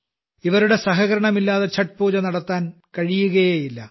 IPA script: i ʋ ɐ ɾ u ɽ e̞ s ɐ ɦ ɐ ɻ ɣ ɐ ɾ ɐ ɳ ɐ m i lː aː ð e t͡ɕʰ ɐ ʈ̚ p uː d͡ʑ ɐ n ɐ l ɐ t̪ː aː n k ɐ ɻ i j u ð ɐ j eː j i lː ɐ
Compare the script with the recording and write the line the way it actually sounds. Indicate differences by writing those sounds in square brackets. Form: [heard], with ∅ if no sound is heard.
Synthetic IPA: i ʋ ɐ ɾ u ɽ e̞ s ɐ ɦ ɐ [∅] ɣ ɐ ɾ ɐ ɳ ɐ m i lː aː ð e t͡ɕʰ ɐ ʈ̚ p uː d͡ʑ ɐ n ɐ [ɽ] ɐ t̪ː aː n k ɐ ɻ i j u [ɣ] ɐ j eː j i lː ɐ